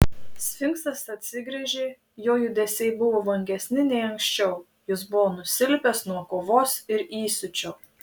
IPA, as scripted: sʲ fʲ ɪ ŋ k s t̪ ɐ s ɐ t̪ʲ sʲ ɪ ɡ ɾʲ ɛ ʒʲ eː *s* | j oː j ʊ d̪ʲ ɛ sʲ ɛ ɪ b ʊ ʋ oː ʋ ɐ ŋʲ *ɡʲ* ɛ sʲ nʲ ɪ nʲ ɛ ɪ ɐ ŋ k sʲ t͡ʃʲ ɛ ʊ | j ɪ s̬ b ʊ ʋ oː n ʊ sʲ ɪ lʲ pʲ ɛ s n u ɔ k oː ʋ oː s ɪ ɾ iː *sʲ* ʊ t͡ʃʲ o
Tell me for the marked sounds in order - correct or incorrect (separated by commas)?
incorrect, correct, correct